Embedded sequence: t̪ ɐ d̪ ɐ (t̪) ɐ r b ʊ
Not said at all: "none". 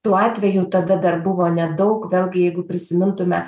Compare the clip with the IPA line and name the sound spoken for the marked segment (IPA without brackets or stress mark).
d̪